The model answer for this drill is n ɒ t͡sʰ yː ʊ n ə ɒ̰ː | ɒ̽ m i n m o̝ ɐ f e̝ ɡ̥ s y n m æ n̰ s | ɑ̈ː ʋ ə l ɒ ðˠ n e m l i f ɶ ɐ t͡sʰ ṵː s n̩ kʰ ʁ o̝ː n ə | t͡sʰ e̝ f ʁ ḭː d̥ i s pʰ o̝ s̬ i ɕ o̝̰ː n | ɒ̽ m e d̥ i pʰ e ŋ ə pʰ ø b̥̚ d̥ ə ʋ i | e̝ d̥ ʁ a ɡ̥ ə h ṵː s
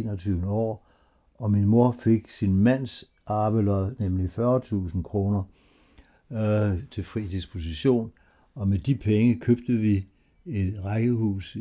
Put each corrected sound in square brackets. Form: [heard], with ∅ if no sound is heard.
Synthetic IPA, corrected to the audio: n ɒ t͡sʰ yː ʊ n ə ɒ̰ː | ɒ̽ m i n m o̝ ɐ f e̝ ɡ̥ s [i] n m æ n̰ s | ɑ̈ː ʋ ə l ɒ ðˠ n e m l i f ɶ ɐ t͡sʰ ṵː s n̩ kʰ ʁ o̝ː n [ɐ] | t͡sʰ e̝ f ʁ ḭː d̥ i s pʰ o̝ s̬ i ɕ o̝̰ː n | ɒ̽ m e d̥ i pʰ e ŋ ə [kʰ] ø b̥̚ d̥ ə ʋ i | e̝ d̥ ʁ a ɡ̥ ə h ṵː s